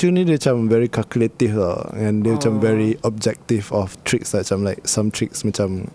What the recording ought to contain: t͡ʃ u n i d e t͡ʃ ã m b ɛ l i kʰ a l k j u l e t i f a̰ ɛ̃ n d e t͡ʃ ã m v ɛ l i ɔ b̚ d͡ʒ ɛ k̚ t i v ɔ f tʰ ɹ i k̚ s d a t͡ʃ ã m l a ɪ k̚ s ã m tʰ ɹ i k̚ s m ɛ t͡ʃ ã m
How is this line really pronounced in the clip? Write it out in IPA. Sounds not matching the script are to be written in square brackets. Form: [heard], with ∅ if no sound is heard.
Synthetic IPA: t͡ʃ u n i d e t͡ʃ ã m [v] ɛ [ɹ] i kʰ a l k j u l e t i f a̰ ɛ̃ n d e t͡ʃ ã m v ɛ [ɹ] i ɔ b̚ d͡ʒ ɛ k̚ t i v ɔ f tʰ ɹ i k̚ s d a t͡ʃ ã m l a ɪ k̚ s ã m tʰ ɹ i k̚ s m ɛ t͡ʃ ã m